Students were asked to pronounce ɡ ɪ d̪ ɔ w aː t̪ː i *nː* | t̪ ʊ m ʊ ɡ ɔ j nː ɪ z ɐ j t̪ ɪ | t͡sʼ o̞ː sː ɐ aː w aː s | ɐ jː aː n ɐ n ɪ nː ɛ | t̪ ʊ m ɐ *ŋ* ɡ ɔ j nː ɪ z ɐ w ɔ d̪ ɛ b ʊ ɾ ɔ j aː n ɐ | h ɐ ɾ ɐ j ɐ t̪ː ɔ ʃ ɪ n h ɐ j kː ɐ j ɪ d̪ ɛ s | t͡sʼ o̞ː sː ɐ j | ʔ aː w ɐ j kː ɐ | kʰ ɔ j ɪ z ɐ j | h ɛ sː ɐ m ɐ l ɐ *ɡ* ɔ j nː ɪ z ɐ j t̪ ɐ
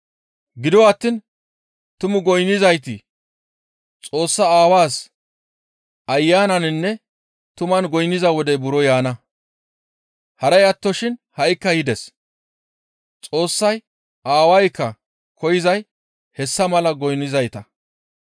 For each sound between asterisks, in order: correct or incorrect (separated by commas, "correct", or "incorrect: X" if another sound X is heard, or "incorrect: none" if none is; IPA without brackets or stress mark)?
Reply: incorrect: n, incorrect: n, correct